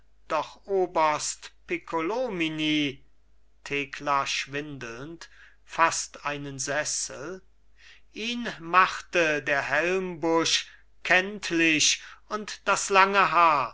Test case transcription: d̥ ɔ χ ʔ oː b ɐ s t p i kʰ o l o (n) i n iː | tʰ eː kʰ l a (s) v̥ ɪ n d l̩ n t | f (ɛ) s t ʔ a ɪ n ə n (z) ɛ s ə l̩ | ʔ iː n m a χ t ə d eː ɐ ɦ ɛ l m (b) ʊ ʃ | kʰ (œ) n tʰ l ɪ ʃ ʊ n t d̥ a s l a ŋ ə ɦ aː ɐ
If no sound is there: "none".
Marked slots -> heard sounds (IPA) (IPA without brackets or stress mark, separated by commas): m, ʃ, a, z, b, ɛ